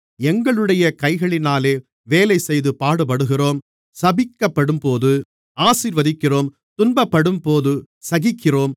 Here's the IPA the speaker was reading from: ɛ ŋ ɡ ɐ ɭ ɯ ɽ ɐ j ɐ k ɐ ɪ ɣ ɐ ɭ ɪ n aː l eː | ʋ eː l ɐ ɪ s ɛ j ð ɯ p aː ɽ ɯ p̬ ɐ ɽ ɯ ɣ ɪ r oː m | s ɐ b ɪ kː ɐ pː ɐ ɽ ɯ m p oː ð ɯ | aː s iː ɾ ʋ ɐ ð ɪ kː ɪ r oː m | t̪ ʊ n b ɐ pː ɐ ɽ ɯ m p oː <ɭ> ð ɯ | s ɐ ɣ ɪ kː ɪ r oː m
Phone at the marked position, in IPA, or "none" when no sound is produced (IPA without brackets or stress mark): none